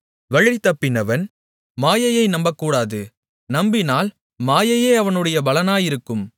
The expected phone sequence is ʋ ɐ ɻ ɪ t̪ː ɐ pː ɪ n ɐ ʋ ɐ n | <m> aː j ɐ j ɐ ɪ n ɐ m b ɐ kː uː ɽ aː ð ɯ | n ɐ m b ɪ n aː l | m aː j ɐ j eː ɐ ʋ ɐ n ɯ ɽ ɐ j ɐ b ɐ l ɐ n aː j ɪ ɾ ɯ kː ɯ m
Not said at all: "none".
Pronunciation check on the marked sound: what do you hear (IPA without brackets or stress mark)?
m